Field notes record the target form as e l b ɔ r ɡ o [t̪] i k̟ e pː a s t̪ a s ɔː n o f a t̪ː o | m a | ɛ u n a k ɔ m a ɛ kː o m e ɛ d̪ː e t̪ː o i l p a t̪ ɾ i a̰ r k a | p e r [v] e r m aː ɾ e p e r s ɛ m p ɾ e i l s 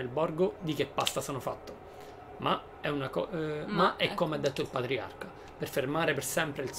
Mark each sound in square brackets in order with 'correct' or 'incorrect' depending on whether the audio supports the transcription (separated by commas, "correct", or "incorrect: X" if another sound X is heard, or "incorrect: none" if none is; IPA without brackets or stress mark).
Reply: incorrect: d̪, incorrect: f